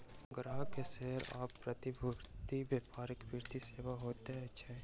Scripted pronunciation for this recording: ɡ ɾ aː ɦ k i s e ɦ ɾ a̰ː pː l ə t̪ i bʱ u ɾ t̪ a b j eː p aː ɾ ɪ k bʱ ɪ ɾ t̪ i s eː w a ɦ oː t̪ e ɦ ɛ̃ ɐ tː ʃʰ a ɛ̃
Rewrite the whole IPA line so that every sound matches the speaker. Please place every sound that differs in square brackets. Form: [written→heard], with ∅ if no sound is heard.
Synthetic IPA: ɡ ɾ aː ɦ k [i→e] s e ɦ ɾ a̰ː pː [l→ɾ] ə t̪ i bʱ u ɾ t̪ [a→i] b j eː p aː ɾ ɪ k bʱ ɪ ɾ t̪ i s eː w a ɦ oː t̪ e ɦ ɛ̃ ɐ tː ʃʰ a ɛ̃